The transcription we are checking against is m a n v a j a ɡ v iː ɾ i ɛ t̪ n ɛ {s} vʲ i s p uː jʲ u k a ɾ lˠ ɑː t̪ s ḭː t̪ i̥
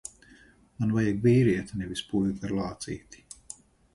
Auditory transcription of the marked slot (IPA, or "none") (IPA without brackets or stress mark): none